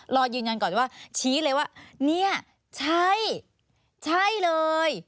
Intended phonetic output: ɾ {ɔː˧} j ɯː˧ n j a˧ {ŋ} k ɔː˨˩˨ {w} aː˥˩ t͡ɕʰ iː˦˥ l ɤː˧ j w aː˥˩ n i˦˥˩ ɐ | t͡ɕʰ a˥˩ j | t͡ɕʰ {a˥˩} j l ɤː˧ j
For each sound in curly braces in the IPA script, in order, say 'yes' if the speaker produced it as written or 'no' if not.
yes, no, yes, yes

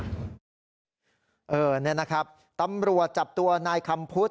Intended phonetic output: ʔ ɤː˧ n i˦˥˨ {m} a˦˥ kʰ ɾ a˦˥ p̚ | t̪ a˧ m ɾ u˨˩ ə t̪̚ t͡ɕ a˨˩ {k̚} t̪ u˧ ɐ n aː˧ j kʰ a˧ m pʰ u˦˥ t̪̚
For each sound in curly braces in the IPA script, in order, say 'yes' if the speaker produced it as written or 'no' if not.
no, no

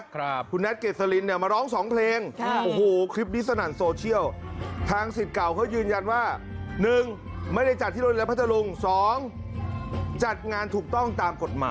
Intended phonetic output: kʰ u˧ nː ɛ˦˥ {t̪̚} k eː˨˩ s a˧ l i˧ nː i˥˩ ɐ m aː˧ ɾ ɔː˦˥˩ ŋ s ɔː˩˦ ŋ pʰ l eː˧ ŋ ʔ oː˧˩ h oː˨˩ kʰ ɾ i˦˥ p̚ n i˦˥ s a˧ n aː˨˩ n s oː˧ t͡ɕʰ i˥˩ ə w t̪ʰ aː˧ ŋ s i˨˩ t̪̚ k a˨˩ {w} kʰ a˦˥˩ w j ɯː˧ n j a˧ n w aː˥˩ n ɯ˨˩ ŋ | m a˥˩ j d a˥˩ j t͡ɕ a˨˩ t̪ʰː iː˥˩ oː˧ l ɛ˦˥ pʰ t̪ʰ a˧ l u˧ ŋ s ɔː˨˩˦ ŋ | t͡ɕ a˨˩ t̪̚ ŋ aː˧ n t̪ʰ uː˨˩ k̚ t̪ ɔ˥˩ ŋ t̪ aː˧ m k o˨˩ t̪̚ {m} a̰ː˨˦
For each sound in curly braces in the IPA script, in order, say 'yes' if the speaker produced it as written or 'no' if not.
yes, yes, yes

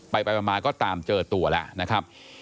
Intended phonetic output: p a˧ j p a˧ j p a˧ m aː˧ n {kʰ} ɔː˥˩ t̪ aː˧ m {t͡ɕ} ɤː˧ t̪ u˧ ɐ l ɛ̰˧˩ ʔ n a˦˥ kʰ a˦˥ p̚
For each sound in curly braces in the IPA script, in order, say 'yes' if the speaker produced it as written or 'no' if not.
no, yes

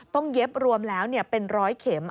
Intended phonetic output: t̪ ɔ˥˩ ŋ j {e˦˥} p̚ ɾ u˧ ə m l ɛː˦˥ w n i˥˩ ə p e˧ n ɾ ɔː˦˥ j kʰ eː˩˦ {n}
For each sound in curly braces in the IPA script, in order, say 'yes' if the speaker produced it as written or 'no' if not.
yes, no

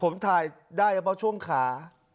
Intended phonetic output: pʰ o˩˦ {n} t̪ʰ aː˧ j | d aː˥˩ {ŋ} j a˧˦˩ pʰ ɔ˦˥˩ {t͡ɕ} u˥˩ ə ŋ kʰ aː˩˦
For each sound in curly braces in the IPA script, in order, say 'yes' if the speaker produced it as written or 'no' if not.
no, no, no

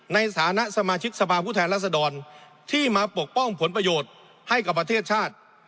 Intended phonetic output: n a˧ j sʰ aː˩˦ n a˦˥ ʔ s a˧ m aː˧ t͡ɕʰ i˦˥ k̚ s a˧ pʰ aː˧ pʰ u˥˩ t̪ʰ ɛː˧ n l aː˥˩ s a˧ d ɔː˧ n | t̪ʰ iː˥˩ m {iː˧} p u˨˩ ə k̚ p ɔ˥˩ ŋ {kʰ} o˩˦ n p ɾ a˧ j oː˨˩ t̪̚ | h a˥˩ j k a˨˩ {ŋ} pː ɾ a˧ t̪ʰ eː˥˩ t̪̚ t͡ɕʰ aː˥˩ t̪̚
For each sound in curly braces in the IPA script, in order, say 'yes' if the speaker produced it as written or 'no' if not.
no, no, no

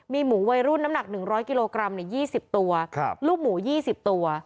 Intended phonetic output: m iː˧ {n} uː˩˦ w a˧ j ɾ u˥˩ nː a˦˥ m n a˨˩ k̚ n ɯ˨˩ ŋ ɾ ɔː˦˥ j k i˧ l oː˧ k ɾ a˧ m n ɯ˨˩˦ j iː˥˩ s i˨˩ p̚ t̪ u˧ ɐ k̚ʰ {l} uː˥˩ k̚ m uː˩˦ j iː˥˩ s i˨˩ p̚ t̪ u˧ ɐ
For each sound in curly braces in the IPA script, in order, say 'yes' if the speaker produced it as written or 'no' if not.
no, yes

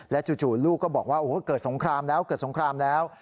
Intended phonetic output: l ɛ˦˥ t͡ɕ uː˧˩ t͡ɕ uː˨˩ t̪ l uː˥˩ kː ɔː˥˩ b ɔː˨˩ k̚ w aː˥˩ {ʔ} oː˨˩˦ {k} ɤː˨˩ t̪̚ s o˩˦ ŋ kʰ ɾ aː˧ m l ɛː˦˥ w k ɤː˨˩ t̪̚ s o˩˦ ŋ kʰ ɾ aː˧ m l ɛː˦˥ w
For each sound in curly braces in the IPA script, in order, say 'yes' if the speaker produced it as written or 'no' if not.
yes, yes

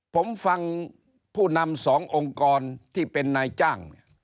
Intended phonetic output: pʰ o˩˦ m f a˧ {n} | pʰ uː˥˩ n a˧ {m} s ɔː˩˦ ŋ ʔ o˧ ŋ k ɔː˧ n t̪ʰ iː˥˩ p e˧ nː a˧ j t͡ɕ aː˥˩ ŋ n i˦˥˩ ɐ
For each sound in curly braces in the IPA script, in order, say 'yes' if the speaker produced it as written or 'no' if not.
no, yes

